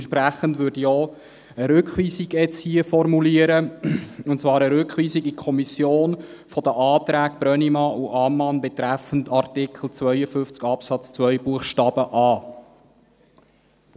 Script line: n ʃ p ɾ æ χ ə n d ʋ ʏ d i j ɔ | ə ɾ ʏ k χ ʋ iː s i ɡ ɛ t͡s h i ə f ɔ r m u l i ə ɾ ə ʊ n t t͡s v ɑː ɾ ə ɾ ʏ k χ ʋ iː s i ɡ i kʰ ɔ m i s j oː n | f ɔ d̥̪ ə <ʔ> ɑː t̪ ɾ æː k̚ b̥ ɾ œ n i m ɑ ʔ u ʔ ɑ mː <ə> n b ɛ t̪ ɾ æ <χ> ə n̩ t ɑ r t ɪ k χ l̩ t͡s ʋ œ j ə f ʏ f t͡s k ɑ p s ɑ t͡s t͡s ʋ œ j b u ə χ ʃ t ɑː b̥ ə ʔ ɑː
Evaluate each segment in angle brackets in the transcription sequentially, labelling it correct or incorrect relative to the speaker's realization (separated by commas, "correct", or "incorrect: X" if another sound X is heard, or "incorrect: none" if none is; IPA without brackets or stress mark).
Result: correct, incorrect: ɑ, incorrect: f